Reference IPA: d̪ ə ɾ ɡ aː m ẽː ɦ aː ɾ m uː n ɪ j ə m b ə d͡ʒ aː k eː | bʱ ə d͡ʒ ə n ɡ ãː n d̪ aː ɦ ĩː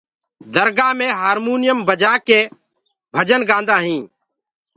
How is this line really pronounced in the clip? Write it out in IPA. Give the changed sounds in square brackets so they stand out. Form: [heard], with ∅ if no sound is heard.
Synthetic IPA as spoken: d̪ ə ɾ ɡ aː m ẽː ɦ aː ɾ m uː n ɪ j ə m b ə d͡ʒ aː k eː | bʱ ə d͡ʒ ə n ɡ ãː n d̪ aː ɦ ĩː